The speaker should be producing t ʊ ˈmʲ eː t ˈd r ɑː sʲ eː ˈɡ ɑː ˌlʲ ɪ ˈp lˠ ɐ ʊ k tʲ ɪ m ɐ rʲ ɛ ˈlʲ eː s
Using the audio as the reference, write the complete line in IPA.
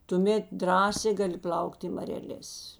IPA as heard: t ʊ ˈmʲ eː t ˈd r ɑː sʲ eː ˈɡ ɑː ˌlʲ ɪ ˈp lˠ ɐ ʊ k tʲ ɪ m ɐ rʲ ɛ ˈlʲ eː s